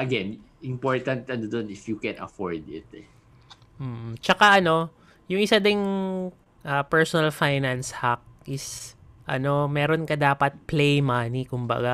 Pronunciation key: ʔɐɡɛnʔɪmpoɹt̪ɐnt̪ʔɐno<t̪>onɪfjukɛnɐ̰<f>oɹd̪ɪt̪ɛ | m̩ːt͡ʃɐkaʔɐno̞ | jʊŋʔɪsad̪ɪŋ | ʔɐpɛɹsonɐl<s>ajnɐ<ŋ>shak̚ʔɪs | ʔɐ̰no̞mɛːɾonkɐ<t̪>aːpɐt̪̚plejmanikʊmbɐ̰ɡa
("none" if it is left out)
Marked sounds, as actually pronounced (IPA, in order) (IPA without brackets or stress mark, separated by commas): d̪, f, f, n, d̪